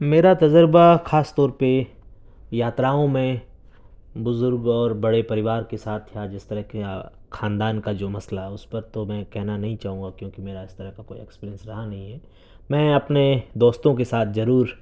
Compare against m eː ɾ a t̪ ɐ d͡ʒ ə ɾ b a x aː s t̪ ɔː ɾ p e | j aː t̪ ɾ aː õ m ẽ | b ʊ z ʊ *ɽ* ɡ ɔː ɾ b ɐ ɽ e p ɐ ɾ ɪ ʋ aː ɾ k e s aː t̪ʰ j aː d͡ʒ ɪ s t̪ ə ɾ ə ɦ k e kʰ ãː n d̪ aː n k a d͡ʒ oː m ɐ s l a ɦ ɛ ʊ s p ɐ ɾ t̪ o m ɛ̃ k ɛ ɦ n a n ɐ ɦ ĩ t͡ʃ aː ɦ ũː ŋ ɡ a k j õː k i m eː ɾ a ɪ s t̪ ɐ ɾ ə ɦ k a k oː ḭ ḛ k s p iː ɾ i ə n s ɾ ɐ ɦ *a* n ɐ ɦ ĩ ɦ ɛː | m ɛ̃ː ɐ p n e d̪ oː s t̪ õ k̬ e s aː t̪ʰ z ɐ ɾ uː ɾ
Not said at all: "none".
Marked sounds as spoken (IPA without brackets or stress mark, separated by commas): ɾ, a